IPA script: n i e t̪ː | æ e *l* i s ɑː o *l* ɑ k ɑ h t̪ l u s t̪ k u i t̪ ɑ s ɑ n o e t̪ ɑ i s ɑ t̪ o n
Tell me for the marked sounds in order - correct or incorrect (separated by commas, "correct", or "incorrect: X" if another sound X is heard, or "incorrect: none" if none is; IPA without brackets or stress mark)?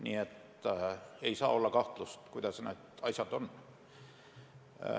incorrect: none, incorrect: lː